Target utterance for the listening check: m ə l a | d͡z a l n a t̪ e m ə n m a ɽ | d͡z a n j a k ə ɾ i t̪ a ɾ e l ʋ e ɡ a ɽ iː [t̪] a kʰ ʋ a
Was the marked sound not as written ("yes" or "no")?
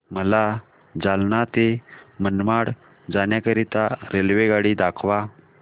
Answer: yes